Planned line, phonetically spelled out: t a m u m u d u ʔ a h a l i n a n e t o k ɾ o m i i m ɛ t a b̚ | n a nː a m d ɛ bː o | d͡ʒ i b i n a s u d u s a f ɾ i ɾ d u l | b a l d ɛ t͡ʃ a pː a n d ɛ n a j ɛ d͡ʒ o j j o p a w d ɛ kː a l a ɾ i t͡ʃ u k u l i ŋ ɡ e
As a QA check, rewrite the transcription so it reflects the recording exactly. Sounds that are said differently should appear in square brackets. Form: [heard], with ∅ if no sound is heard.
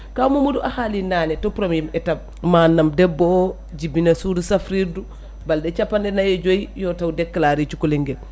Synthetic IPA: [k] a m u m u d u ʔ a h a l i n a n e t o [p] ɾ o m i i m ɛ t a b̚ | [m] a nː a m d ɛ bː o | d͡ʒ i b i n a s u d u s a f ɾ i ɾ d u [∅] | b a l d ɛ t͡ʃ a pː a n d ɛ n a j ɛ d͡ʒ o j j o [t] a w d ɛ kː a l a ɾ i t͡ʃ u k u l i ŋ ɡ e